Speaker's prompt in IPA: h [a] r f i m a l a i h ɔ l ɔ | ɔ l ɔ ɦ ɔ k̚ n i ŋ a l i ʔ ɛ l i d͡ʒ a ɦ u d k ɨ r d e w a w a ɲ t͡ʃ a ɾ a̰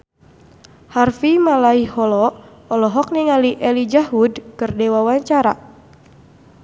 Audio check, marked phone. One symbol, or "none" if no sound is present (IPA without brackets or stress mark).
a